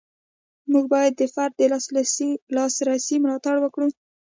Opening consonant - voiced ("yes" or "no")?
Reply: yes